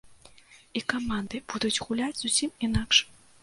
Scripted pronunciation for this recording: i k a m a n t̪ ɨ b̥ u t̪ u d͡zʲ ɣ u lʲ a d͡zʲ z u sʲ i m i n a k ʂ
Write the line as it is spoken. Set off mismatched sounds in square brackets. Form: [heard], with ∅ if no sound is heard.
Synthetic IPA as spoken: i k a m a n [d̪] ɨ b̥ u [d̪] u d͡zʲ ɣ u lʲ a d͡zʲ z u sʲ i m i n a k ʂ